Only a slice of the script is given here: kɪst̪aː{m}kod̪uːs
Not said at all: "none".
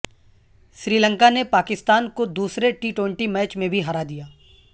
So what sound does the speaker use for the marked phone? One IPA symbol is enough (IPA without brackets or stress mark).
n